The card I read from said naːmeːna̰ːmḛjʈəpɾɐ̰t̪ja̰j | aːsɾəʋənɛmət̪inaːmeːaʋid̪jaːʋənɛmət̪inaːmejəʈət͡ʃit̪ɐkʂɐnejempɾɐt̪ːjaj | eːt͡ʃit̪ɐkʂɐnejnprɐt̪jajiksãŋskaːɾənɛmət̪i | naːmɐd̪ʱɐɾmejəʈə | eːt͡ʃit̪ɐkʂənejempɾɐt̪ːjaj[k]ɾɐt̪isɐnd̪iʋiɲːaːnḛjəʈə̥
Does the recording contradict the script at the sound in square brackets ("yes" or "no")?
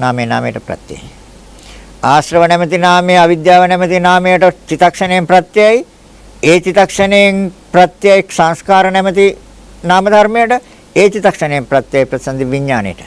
yes